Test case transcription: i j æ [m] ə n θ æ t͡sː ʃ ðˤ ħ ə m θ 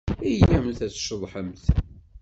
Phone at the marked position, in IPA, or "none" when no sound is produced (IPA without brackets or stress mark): m